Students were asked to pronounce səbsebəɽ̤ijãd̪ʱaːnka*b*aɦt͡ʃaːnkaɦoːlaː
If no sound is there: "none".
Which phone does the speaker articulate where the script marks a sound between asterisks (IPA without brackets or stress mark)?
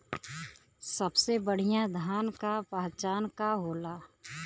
p